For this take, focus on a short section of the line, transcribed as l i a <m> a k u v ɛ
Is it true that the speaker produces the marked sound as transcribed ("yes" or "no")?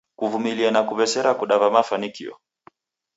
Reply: no